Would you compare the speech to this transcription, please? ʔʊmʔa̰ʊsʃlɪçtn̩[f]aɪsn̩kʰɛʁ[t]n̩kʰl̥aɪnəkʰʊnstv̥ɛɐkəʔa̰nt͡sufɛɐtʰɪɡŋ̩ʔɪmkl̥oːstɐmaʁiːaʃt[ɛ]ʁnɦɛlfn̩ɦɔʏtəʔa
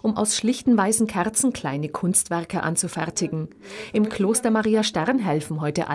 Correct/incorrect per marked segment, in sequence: incorrect: v, incorrect: t͡s, correct

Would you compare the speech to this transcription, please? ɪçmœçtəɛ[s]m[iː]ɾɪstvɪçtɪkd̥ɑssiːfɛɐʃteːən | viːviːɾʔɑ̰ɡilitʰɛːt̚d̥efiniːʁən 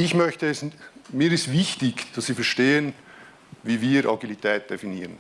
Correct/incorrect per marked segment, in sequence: correct, correct

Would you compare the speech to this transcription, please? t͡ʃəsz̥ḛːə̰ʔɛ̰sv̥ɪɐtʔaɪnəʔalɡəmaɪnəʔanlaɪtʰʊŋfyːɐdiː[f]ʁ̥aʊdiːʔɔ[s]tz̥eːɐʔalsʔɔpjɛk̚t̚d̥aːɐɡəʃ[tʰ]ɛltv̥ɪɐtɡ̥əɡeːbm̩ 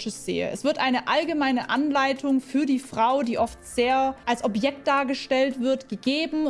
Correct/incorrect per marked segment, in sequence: correct, incorrect: f, incorrect: t

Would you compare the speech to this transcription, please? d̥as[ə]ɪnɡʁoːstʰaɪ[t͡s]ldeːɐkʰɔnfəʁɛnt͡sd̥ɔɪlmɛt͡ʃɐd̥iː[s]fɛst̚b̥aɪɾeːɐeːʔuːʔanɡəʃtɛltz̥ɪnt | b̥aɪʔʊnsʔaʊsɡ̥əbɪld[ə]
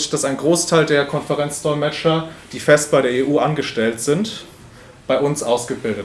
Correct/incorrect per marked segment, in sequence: incorrect: a, incorrect: none, incorrect: none, correct

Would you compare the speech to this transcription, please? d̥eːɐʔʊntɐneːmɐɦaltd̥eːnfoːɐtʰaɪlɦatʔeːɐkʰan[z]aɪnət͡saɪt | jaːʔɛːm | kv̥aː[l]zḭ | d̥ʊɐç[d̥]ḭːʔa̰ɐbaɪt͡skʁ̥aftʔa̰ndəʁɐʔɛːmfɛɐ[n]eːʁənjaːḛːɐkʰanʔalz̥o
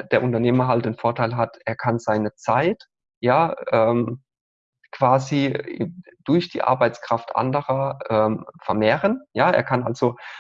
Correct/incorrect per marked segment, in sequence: correct, incorrect: none, correct, incorrect: m

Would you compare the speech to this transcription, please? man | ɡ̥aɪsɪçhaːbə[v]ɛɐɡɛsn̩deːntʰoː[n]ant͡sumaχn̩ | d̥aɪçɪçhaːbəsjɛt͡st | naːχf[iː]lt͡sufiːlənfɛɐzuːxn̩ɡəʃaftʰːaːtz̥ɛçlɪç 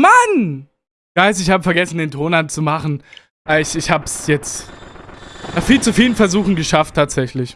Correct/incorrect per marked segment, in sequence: incorrect: f, correct, correct

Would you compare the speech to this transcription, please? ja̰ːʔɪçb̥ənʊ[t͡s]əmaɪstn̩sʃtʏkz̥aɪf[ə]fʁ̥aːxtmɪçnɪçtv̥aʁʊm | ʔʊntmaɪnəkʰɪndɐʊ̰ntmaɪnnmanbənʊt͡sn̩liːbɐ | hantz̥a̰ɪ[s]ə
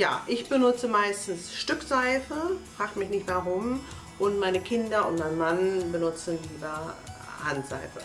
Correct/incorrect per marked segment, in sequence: correct, correct, incorrect: f

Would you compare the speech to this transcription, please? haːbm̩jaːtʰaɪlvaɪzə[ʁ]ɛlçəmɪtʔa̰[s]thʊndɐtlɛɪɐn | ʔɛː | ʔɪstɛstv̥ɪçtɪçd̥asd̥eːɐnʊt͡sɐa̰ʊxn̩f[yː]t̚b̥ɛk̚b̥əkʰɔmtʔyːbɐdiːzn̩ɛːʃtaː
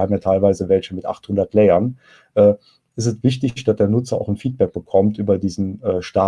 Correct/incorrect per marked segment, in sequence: incorrect: v, incorrect: χ, incorrect: iː

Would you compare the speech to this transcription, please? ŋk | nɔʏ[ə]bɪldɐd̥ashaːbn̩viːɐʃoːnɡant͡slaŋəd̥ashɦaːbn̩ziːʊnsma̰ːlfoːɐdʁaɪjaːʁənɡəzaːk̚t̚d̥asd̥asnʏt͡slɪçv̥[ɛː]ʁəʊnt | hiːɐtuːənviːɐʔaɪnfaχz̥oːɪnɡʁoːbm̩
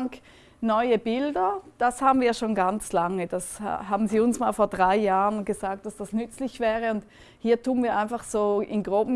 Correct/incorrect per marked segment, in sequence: correct, correct

